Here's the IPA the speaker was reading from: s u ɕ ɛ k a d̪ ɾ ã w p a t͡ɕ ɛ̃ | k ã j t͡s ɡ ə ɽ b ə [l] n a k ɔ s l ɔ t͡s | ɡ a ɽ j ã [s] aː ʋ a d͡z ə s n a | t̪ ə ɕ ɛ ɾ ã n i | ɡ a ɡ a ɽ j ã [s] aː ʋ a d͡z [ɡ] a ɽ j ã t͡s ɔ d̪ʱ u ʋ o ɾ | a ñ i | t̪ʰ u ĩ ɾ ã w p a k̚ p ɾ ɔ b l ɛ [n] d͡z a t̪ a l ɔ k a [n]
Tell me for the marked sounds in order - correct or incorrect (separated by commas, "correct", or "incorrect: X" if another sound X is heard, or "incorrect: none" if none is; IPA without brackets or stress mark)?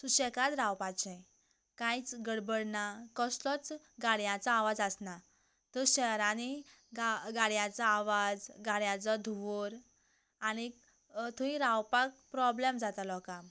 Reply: incorrect: ɽ, incorrect: t͡s, incorrect: t͡s, correct, incorrect: m, incorrect: m